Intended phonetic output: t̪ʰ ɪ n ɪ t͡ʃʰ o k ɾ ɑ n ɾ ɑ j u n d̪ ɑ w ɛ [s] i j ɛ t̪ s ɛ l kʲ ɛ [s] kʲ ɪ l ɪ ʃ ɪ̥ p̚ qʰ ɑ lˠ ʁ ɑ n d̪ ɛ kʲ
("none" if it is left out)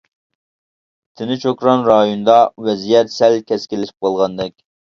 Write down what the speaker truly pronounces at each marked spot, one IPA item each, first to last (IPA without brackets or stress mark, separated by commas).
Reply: z, s